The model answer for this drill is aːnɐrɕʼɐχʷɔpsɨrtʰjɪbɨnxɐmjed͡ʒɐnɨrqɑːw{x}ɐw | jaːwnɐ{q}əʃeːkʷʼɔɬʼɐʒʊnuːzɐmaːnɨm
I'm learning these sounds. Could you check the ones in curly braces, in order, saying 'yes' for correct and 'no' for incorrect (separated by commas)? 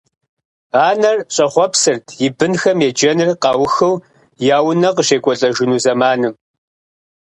yes, yes